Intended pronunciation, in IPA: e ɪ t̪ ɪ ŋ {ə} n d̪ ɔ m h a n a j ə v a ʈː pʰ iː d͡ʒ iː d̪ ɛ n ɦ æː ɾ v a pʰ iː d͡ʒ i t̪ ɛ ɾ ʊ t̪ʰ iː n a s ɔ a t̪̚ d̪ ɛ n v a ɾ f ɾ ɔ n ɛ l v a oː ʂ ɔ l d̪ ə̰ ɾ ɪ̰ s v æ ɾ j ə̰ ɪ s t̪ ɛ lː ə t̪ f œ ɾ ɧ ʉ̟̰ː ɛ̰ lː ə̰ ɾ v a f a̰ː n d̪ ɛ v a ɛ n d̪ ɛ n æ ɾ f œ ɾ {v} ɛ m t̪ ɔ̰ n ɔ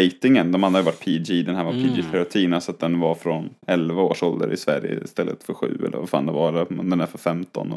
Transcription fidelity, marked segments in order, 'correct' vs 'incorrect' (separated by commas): correct, incorrect